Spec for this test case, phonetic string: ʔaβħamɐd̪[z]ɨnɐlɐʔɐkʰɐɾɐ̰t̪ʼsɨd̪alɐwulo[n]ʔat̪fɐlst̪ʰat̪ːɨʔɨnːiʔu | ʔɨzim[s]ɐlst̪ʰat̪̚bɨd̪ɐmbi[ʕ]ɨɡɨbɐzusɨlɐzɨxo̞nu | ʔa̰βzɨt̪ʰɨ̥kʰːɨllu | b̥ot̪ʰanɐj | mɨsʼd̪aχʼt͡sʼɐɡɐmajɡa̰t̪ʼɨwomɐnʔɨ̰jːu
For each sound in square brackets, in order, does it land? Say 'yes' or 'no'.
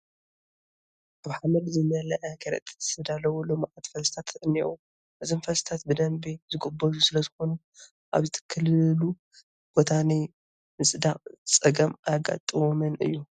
yes, no, no, no

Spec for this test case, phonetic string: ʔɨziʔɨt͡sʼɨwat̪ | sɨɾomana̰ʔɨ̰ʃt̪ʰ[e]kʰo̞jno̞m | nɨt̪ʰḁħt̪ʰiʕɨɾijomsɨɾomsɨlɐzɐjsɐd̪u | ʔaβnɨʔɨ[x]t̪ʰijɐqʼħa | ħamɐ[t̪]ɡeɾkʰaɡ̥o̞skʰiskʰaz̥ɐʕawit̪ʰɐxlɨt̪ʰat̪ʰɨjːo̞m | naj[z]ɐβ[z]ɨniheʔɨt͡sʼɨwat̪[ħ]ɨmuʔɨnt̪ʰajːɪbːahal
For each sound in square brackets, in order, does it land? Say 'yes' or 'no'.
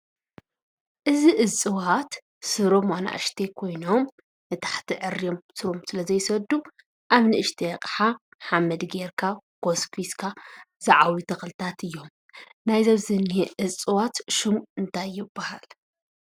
yes, no, no, yes, yes, no

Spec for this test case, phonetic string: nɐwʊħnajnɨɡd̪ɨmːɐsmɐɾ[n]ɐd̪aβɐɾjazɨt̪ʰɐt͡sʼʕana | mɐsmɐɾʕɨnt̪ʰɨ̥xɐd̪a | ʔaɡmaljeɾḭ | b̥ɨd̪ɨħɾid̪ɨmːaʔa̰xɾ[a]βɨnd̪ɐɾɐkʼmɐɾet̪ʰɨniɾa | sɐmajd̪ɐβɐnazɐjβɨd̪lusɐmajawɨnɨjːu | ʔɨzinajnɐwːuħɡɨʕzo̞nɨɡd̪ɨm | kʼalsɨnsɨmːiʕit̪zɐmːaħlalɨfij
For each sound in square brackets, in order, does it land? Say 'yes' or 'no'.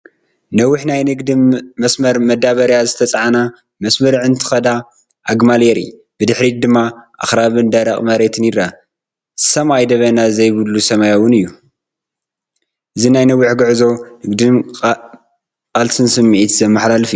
no, yes

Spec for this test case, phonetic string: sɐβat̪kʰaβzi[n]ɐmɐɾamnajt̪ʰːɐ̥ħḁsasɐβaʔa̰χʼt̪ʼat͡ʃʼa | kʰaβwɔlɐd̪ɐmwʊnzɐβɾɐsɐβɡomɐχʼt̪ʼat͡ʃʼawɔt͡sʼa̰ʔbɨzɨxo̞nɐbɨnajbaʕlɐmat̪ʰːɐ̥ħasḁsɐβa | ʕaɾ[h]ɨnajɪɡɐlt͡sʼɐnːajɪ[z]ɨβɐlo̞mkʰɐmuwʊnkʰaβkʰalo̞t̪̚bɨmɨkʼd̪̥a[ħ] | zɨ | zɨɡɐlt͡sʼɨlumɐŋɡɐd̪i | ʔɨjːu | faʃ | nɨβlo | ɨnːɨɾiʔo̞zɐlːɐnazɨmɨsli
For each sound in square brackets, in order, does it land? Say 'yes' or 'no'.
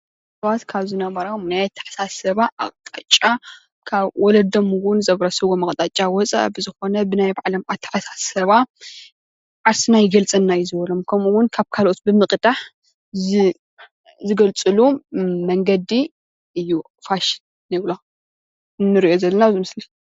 yes, no, yes, yes

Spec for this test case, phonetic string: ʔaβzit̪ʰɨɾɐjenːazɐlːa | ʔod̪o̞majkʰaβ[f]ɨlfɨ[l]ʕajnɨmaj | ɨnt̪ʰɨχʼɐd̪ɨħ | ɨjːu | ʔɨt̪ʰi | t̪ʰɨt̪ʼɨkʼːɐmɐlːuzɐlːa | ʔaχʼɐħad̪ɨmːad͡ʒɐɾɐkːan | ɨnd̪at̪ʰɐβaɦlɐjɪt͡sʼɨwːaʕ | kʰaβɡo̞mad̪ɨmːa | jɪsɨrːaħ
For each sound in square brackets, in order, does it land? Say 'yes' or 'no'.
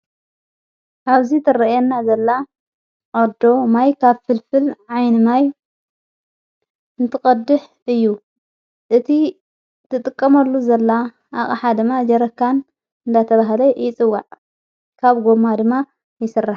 yes, yes

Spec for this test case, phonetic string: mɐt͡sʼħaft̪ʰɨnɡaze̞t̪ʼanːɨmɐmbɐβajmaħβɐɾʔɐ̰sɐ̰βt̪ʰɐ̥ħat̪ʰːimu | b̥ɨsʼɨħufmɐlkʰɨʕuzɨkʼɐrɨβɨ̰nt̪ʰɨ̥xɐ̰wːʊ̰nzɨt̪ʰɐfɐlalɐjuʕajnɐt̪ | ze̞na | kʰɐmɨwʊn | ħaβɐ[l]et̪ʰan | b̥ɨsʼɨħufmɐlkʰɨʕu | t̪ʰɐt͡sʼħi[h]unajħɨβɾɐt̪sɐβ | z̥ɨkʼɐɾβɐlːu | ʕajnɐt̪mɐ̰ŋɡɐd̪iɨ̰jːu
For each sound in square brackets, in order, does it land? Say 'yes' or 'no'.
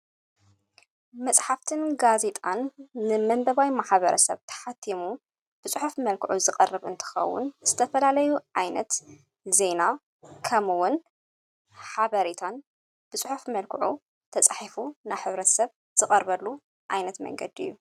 no, no

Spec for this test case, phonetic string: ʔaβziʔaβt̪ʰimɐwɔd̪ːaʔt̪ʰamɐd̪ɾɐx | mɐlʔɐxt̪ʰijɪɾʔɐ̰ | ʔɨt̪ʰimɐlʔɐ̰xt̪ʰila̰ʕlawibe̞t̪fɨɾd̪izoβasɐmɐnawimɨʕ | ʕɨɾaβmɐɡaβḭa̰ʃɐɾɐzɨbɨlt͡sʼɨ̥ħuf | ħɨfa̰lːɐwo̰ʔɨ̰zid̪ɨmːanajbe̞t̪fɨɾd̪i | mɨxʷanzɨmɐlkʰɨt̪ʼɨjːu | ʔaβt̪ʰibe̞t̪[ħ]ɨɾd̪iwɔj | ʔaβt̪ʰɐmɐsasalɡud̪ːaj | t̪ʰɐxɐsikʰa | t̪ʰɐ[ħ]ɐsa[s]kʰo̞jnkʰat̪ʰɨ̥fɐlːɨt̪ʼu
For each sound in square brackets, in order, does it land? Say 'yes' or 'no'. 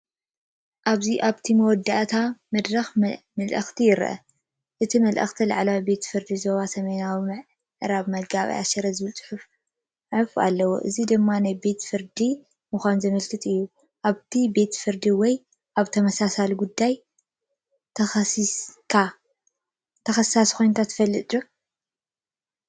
no, no, yes

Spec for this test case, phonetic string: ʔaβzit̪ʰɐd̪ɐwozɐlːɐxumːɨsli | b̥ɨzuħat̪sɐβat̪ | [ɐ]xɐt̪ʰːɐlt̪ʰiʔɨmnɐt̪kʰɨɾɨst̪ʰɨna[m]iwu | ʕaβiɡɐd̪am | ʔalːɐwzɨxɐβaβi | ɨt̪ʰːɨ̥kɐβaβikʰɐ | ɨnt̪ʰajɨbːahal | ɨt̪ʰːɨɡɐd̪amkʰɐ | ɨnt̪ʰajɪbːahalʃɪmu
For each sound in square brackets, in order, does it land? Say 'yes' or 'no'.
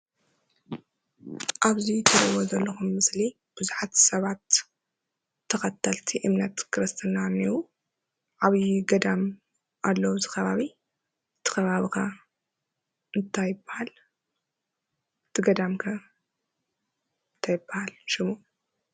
yes, no

